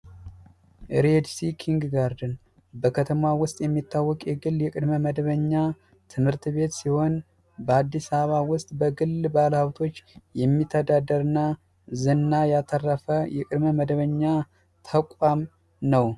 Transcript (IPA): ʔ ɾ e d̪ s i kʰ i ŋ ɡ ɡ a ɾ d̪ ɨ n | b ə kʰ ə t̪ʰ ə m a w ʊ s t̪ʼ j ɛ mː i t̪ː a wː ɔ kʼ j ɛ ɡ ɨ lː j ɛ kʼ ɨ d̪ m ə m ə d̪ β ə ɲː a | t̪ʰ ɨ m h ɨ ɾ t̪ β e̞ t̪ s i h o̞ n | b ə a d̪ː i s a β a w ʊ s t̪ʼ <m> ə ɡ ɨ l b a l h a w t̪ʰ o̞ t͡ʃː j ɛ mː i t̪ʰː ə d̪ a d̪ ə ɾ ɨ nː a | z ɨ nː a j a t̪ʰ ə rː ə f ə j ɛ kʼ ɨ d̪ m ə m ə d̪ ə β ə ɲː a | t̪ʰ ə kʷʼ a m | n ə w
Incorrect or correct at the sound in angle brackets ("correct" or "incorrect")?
incorrect